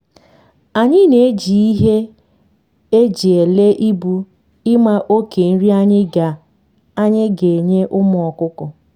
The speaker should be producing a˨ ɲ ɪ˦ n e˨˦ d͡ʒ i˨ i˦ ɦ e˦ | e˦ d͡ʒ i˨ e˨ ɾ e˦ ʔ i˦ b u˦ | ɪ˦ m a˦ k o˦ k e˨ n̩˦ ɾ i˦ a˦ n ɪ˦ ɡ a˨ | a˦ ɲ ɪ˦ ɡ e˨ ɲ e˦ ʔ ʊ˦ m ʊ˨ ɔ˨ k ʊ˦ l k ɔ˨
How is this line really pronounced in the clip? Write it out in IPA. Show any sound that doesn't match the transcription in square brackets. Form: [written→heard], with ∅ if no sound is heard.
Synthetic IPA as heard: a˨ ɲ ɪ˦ n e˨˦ d͡ʒ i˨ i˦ ɦ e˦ | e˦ d͡ʒ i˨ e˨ [ɾ→l] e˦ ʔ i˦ b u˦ | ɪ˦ m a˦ [k→ʔ] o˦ k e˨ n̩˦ ɾ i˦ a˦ [n→ɲ] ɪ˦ ɡ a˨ | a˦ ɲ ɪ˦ ɡ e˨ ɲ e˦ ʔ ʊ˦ m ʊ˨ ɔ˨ k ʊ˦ [l→∅] k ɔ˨